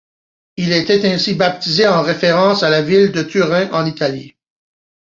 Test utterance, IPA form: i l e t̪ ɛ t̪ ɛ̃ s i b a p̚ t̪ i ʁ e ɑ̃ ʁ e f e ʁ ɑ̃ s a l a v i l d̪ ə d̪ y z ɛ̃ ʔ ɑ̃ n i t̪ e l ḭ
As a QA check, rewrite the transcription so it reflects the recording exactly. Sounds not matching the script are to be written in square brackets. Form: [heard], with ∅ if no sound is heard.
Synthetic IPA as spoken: i l e t̪ ɛ t̪ ɛ̃ s i b a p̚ t̪ i [z] e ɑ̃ ʁ e f e ʁ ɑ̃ s a l a v i l d̪ ə [t̪] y [ʁ] ɛ̃ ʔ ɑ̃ n i t̪ [a] l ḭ